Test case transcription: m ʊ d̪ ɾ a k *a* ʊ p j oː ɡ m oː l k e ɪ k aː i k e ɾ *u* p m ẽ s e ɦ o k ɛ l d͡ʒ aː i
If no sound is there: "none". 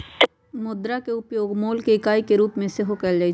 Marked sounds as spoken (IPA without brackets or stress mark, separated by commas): e, uː